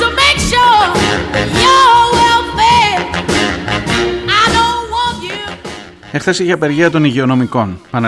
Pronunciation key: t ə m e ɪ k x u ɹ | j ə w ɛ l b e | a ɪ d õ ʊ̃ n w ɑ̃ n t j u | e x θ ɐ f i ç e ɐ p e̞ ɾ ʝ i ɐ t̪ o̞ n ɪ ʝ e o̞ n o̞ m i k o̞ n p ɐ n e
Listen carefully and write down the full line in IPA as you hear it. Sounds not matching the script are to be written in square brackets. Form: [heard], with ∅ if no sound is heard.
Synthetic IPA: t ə m e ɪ k [ʃ] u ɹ | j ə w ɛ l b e | a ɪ d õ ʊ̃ n w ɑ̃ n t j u | e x θ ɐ [s] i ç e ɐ p e̞ ɾ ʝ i ɐ t̪ o̞ n [i] ʝ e o̞ n o̞ m i k o̞ n p ɐ n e